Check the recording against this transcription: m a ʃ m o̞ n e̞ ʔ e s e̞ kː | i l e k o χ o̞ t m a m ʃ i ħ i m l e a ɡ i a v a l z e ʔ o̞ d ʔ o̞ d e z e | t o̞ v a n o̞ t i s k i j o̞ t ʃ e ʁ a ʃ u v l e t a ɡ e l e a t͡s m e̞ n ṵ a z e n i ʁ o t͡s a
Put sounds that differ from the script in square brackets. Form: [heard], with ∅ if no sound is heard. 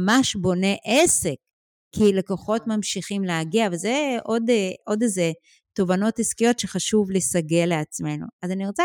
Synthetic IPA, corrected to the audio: m a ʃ [b] o̞ n e̞ ʔ e s e̞ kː | i l e k o χ o̞ t m a m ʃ i [χ] i m l e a ɡ i a v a l z e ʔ o̞ d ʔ o̞ d e z e | t o̞ v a n o̞ t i s k i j o̞ t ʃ e [χ] a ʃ u v l e [s] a ɡ e l e a t͡s m e̞ n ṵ a z [a] n i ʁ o t͡s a